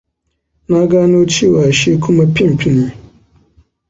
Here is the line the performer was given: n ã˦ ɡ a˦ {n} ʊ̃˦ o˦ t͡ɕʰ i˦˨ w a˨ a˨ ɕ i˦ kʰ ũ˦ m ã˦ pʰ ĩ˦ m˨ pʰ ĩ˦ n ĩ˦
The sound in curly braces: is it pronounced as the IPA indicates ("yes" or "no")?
yes